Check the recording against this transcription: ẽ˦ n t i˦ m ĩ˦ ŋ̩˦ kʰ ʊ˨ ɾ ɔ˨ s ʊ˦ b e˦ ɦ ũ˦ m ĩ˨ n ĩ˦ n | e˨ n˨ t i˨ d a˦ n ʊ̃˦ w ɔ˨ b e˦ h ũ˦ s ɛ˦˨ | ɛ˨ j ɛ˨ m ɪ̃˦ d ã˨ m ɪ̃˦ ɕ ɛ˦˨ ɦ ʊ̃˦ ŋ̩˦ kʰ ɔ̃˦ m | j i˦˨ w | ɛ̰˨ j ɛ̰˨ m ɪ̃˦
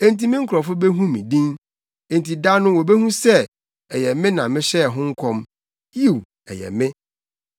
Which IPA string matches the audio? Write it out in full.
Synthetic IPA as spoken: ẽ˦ n t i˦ m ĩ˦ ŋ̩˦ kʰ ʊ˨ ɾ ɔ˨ f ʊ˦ b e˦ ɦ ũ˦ m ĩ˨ d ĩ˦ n | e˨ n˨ t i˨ d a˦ n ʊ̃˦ w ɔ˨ b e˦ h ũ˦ s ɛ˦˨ | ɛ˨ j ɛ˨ m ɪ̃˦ n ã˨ m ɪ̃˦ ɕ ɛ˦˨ ɦ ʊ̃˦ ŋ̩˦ kʰ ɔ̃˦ m | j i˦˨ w | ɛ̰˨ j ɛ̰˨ m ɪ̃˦

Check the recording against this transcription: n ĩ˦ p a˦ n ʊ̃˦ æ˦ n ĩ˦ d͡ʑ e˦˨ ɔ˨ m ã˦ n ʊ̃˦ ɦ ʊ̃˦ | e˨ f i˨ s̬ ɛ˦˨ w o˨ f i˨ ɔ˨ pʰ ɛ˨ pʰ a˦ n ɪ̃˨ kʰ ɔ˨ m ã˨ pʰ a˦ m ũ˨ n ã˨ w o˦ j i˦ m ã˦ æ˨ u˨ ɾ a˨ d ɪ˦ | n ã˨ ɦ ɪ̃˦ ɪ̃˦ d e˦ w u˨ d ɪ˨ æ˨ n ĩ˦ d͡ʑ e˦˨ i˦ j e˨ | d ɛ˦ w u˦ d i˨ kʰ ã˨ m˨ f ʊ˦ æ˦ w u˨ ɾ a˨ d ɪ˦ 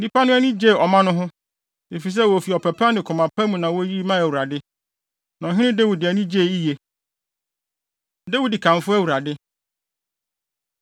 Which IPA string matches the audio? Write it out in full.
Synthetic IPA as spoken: n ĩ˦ p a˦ n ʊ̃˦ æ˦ n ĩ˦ d͡ʑ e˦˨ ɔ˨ m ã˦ n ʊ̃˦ ɦ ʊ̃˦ | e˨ f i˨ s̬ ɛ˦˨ w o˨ f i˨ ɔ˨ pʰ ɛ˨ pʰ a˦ n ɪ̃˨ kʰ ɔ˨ m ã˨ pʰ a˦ m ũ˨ n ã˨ w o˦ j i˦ m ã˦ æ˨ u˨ ɾ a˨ d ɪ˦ | n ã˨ ɦ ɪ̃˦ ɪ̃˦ d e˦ w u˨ d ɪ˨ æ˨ n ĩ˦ d͡ʑ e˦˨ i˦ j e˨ | d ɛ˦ w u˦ d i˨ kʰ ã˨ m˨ f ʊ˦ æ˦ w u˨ ɾ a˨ d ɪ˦

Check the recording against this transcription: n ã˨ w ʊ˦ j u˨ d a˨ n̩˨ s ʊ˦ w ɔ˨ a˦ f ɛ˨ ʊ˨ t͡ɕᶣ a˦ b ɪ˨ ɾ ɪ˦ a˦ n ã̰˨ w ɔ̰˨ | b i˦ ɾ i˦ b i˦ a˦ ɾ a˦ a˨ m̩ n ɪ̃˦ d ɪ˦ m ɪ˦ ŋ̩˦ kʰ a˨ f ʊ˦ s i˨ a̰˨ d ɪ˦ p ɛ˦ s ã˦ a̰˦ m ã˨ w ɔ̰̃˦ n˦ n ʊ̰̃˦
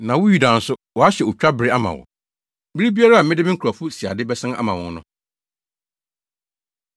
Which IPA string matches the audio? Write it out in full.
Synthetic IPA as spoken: n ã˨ w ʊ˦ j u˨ d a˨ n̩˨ s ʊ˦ w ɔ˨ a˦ ɕ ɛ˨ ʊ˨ t͡ɕᶣ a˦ b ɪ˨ ɾ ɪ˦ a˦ m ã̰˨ w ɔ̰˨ | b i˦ ɾ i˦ b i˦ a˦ ɾ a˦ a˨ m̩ m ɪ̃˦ d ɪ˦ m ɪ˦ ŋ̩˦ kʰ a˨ f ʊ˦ s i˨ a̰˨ d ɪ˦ b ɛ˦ s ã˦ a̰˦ m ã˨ w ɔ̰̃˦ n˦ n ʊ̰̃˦

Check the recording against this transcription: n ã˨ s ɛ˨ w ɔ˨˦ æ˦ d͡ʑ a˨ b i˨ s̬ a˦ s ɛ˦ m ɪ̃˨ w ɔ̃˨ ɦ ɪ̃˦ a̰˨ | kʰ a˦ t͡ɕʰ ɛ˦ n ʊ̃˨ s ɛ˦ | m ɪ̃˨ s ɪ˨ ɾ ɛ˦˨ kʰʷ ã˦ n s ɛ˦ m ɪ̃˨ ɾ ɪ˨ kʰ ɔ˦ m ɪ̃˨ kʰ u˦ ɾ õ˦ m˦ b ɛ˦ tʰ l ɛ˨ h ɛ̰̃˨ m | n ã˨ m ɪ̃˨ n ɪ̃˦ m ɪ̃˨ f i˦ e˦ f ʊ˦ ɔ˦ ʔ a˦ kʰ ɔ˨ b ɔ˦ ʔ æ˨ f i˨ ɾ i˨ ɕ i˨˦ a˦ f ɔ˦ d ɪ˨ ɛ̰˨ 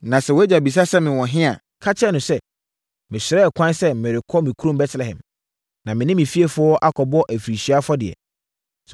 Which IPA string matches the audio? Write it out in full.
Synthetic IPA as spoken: n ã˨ s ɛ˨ w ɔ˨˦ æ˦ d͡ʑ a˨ b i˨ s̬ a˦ s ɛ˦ m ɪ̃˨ w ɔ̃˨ ɦ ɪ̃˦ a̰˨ | kʰ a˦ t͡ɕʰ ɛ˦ n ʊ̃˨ s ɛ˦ | m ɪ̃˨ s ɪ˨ ɾ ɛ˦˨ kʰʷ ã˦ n s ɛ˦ m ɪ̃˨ ɾ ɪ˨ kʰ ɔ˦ m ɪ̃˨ kʰ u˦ ɾ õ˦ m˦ b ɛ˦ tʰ l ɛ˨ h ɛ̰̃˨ m | n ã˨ m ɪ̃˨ n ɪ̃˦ m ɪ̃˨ f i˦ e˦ f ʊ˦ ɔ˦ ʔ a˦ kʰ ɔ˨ b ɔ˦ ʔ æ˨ f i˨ ɾ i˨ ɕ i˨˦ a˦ f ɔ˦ d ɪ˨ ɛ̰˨

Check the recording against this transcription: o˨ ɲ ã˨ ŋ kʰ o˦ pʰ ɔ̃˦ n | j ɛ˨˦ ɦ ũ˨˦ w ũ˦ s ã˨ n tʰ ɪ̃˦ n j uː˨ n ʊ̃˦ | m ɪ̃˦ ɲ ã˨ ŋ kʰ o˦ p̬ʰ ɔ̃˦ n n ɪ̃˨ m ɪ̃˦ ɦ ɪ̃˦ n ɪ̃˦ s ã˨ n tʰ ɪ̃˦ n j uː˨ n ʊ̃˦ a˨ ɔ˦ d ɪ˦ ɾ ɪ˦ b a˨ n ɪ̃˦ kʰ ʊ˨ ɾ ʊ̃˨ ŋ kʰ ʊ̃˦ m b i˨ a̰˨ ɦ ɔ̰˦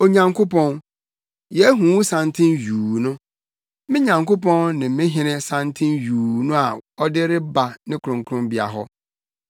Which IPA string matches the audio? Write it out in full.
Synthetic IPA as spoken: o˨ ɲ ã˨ ŋ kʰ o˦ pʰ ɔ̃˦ n | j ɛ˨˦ ɦ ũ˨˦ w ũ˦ s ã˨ n tʰ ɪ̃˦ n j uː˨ n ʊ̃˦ | m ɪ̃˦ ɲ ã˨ ŋ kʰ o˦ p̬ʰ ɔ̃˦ n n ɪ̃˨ m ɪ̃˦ ɦ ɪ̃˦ n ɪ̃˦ s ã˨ n tʰ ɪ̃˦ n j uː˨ n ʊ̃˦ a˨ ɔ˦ d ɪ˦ ɾ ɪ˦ b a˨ n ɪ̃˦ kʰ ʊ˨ ɾ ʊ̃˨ ŋ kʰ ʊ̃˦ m b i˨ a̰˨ ɦ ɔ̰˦

